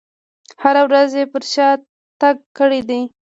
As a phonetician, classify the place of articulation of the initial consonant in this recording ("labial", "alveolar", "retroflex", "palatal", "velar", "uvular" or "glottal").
glottal